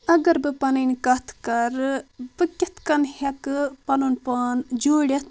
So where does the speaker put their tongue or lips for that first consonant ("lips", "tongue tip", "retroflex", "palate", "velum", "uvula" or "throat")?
velum